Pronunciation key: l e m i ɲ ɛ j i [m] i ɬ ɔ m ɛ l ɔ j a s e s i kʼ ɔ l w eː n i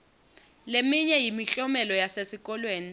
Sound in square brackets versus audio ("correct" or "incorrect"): correct